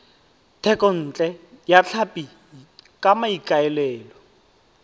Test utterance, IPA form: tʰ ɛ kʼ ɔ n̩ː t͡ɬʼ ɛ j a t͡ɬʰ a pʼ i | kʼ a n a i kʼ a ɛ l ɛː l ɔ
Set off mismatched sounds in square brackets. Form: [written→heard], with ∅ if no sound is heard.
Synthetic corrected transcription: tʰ ɛ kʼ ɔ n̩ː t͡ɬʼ ɛ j a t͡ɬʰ a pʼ i | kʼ a [n→m] a i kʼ a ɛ l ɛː l ɔ